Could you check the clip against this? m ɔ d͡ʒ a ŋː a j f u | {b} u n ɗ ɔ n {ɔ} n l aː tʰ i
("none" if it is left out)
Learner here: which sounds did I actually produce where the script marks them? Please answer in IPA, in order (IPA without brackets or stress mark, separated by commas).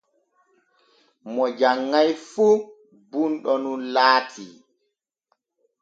b, u